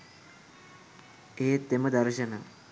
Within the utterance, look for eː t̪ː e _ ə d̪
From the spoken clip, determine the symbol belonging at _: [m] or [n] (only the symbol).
m